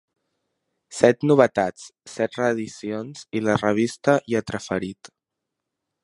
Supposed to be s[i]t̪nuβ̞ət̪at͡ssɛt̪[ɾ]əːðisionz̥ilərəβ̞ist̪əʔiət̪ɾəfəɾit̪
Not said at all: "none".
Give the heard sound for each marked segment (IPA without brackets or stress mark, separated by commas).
ɛ, r